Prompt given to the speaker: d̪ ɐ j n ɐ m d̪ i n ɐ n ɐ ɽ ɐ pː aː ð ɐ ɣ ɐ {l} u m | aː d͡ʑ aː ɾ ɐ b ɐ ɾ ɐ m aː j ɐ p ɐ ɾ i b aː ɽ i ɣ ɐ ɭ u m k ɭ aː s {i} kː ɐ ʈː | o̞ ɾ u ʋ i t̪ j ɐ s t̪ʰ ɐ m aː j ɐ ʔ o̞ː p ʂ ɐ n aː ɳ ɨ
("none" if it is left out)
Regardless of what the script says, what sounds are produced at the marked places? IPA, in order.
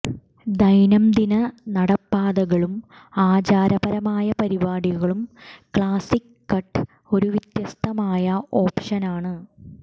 ɭ, i

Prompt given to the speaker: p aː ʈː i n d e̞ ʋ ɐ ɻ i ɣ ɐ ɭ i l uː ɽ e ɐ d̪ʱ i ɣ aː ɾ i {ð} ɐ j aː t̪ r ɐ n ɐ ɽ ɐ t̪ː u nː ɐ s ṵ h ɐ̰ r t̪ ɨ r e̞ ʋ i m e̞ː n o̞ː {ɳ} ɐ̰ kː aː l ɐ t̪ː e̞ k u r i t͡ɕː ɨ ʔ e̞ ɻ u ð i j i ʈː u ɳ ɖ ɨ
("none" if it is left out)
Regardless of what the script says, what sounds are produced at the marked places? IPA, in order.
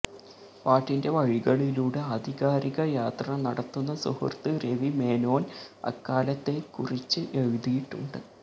ɣ, n

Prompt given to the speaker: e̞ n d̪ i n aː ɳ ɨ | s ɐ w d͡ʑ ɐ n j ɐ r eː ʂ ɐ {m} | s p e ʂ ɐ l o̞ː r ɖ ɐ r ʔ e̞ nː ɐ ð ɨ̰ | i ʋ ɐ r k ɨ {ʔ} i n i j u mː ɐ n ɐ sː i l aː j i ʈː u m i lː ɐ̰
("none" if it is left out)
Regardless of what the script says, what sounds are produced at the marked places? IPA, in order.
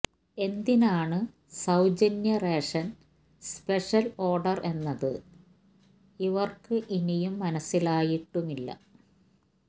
n, ʔ

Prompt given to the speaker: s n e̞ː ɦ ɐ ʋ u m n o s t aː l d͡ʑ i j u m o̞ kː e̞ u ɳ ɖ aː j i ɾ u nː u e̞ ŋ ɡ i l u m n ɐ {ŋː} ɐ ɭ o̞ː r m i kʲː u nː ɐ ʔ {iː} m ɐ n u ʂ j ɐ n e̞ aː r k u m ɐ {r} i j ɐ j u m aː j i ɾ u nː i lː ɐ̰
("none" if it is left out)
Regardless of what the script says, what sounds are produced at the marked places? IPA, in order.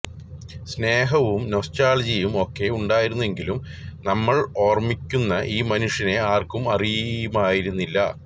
mː, iː, r

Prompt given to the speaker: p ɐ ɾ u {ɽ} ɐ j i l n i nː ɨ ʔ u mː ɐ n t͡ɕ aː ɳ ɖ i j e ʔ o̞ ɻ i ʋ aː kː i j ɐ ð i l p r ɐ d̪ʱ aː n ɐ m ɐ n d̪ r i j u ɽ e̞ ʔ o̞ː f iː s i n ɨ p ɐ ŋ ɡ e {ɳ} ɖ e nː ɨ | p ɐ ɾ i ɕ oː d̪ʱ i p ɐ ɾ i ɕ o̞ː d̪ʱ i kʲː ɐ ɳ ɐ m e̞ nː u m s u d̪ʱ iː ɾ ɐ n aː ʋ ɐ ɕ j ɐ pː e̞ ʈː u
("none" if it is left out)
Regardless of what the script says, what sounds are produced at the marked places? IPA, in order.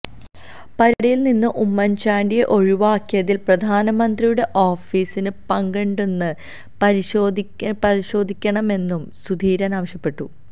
ɽ, ɳ

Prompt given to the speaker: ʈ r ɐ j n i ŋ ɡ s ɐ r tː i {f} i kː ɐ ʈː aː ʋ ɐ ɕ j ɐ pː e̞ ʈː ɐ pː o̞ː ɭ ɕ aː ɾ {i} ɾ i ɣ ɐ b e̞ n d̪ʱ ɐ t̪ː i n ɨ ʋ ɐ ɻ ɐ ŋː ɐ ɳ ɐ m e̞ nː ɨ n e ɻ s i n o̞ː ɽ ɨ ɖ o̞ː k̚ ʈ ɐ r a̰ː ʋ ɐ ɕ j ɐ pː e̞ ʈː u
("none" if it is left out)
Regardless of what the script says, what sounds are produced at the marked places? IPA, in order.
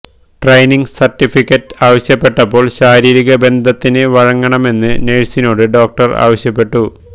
f, iː

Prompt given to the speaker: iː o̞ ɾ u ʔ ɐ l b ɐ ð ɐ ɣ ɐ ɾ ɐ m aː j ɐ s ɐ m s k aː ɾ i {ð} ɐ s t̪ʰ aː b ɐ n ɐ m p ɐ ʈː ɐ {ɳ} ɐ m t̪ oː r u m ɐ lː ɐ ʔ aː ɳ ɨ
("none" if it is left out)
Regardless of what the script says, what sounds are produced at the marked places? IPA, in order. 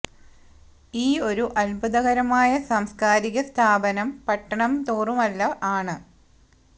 ɣ, ɳ

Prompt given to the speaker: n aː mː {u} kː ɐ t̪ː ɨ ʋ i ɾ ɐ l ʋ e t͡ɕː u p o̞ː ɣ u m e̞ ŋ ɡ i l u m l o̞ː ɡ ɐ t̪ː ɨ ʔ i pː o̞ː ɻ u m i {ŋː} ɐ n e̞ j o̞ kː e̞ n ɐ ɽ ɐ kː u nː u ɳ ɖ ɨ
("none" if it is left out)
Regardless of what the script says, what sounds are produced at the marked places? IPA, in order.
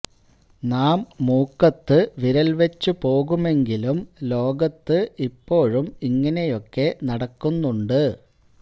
uː, ŋː

